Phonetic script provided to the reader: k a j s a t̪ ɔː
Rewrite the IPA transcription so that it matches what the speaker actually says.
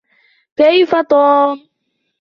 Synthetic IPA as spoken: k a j f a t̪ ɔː